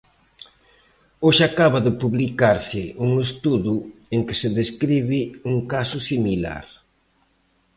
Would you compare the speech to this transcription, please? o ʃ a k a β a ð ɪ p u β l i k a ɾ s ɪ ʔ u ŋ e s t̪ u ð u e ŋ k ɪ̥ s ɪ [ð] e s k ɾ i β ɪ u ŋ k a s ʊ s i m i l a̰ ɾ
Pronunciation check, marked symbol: correct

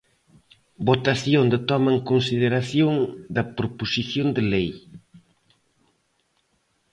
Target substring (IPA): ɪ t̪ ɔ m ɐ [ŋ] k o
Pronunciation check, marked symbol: correct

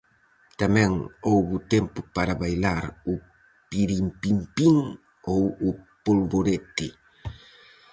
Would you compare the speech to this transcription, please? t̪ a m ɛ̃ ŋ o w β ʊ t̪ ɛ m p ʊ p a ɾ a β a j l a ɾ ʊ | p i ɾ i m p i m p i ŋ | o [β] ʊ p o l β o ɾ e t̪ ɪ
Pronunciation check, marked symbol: incorrect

